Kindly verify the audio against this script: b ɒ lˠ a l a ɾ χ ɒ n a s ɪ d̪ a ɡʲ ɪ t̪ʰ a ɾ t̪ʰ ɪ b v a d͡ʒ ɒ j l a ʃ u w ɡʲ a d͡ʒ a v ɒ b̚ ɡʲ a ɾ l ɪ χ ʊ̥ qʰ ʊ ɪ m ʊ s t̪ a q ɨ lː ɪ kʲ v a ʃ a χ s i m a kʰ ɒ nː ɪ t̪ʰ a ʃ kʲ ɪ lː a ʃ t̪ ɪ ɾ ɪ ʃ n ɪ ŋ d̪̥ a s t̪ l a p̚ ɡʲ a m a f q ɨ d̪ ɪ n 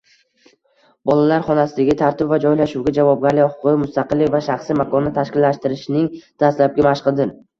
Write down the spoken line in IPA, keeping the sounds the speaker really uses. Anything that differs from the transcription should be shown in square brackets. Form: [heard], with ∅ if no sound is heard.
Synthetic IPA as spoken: b ɒ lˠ a l a ɾ χ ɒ n a s ɪ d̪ a ɡʲ ɪ t̪ʰ a ɾ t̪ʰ ɪ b v a d͡ʒ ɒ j l a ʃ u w ɡʲ a d͡ʒ a v ɒ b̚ ɡʲ a ɾ l ɪ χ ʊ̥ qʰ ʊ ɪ m ʊ s t̪ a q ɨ lː ɪ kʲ v a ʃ a χ s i m a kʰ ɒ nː ɪ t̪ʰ a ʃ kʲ ɪ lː a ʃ t̪ ɪ ɾ ɪ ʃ n ɪ ŋ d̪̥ a s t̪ l a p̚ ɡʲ a m a [ʃ] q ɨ d̪ ɪ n